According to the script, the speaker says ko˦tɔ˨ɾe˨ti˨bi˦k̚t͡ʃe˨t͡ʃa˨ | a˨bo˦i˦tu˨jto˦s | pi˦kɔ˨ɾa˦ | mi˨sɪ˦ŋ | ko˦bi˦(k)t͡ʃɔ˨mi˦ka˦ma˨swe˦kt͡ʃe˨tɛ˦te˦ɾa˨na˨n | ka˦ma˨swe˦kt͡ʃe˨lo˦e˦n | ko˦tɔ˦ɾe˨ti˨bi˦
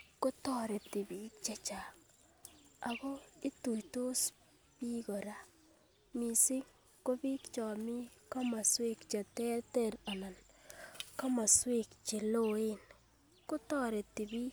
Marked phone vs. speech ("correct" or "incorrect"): correct